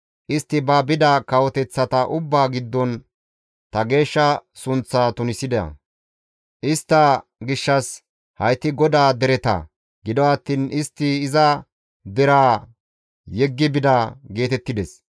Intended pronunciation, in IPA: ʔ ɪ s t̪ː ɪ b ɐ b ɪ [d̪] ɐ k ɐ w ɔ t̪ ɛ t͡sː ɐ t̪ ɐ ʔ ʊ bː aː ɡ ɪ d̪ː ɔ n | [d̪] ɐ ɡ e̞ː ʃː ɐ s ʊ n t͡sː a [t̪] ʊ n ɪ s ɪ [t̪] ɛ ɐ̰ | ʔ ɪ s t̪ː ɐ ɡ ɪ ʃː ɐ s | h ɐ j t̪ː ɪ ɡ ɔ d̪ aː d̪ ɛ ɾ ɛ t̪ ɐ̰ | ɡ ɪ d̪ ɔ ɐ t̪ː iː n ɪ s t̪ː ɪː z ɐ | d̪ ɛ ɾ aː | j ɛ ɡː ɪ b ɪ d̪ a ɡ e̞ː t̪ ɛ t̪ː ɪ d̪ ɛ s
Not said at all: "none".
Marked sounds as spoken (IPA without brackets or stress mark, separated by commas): d̪, t̪, t̪, d̪